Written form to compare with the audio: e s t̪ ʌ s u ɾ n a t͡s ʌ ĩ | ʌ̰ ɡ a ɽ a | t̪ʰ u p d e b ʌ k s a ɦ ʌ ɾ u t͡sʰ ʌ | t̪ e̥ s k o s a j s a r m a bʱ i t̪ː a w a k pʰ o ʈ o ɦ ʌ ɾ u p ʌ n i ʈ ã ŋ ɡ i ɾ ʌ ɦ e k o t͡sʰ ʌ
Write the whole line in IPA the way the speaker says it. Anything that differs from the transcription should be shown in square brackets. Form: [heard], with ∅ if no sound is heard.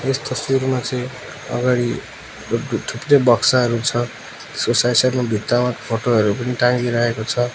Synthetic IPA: e s t̪ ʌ s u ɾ [m] a t͡s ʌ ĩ | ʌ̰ ɡ a ɽ [i] | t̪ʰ u p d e b ʌ k s a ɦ ʌ ɾ u t͡sʰ ʌ | t̪ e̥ s k o s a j s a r m a bʱ i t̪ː a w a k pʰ o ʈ o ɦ ʌ ɾ u p ʌ n i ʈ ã ŋ ɡ i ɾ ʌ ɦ e k o t͡sʰ ʌ